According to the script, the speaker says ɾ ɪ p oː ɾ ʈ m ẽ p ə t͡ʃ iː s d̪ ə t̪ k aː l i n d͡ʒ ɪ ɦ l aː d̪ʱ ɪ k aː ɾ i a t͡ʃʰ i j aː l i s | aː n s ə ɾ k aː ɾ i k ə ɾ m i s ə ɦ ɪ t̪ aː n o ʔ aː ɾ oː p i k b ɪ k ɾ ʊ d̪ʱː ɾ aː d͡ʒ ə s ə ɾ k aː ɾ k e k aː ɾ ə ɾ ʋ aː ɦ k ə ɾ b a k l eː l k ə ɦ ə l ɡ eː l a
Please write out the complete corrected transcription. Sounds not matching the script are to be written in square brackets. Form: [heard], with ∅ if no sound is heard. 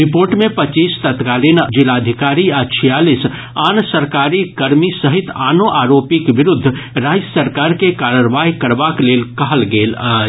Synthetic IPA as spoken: ɾ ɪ p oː ɾ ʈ m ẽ p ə t͡ʃ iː s [t̪] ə t̪ k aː l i n d͡ʒ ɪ [∅] l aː d̪ʱ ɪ k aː ɾ i a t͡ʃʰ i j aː l i s | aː n s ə ɾ k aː ɾ i k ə ɾ m i s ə ɦ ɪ t̪ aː n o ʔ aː ɾ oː p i k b ɪ [∅] ɾ ʊ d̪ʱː ɾ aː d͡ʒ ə s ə ɾ k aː ɾ k e k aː ɾ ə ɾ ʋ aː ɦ k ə ɾ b a k l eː l k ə ɦ ə l ɡ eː l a

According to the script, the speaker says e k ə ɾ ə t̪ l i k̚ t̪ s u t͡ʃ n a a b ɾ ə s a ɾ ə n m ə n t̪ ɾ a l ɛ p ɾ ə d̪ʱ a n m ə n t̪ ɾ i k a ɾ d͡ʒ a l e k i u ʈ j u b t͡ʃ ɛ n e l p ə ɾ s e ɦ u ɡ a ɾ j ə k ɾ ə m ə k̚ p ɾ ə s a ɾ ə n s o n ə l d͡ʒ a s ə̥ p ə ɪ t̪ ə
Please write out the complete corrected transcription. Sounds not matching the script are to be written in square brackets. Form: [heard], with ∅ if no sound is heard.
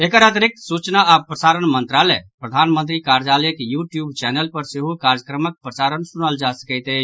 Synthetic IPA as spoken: e k ə ɾ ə t̪ [ɾ] i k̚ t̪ s u t͡ʃ n a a [p] ɾ ə s a ɾ ə n m ə n t̪ ɾ a l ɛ p ɾ ə d̪ʱ a n m ə n t̪ ɾ i k a ɾ d͡ʒ a l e k [j] u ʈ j u b t͡ʃ ɛ n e l p ə ɾ s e ɦ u [k] a ɾ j ə k ɾ ə m ə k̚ p ɾ ə s a ɾ ə n s [u] n ə l d͡ʒ a s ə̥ [k] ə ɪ t̪ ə

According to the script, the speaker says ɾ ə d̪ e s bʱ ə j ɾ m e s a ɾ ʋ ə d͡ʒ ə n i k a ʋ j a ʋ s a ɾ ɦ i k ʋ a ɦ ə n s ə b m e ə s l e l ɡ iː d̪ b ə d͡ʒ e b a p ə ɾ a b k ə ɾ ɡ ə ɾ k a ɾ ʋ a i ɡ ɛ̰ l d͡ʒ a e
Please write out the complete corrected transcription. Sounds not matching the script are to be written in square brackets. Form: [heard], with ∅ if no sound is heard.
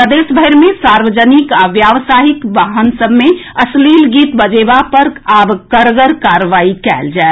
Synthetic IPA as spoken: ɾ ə d̪ e s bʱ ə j ɾ m e s a ɾ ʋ ə d͡ʒ ə n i k a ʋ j a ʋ s a [∅] ɦ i k ʋ a ɦ ə n s ə b m e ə s l [i] l ɡ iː [t̪] b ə d͡ʒ e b a p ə ɾ a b k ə ɾ ɡ ə ɾ k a ɾ ʋ a i [k] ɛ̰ l d͡ʒ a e

